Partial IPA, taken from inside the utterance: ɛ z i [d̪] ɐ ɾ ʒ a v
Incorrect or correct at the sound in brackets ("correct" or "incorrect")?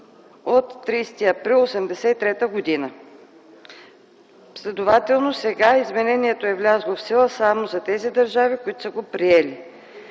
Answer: correct